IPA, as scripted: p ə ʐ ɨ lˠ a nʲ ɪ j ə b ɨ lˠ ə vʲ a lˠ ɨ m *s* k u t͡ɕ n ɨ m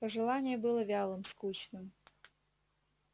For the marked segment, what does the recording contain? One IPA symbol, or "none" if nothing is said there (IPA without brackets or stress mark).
s